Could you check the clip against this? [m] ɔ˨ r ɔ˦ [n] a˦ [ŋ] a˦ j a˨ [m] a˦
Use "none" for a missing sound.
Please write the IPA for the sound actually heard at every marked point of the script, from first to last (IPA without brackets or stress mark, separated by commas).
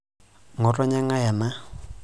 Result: ŋ, ɲ, ŋ, m